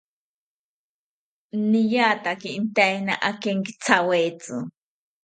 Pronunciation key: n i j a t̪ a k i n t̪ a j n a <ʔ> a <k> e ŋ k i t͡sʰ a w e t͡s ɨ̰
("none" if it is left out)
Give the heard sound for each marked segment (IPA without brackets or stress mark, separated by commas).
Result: ʔ, k